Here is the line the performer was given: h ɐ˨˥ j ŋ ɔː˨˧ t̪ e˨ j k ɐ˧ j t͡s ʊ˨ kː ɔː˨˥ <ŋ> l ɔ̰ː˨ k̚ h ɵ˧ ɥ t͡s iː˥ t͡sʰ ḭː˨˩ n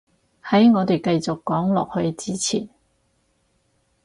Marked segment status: correct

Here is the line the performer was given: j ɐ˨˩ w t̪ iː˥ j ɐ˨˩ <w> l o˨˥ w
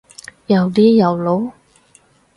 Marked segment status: correct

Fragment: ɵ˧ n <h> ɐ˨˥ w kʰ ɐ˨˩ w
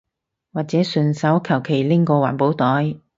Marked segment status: incorrect: s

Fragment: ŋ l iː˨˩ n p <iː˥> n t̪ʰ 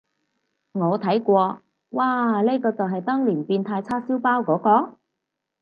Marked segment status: incorrect: iː˧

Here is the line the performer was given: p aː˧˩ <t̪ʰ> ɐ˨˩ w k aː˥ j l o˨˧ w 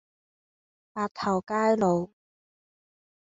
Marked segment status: correct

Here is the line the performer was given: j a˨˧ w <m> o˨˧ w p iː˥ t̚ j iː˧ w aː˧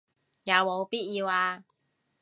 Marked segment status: correct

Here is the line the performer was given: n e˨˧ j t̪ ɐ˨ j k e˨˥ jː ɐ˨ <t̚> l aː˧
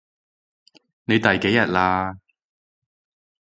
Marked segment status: correct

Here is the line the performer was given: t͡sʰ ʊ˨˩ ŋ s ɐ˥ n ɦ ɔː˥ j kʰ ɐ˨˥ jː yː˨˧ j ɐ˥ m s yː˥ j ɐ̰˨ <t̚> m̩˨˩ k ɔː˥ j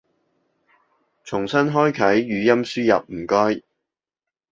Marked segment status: incorrect: p̚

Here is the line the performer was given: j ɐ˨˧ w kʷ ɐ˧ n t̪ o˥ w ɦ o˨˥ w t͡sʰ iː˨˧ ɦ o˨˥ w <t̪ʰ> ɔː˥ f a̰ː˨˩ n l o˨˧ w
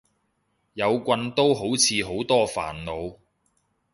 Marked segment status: incorrect: t̪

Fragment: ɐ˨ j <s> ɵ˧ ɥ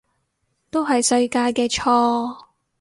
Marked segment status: correct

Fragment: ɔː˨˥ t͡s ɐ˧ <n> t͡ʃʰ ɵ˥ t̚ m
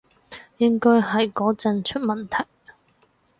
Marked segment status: correct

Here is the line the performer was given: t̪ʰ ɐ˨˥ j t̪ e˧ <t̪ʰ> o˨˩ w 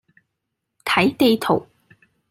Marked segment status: correct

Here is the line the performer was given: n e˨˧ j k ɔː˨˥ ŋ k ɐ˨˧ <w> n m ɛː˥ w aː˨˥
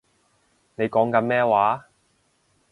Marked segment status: incorrect: none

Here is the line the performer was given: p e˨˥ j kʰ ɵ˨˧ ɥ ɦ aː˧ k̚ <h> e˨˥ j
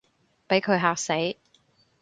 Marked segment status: incorrect: s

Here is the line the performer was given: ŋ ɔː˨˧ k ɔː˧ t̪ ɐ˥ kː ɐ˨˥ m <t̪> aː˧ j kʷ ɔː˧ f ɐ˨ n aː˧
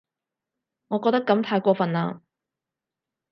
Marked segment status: incorrect: t̪ʰ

